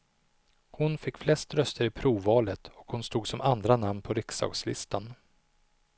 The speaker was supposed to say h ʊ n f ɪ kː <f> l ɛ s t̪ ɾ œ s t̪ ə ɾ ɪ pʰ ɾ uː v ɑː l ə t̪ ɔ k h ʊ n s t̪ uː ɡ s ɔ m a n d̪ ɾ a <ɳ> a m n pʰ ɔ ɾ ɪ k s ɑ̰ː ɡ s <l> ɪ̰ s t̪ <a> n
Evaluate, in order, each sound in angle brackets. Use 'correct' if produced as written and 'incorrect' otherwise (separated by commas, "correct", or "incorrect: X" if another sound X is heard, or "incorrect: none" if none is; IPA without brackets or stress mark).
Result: correct, incorrect: n, correct, correct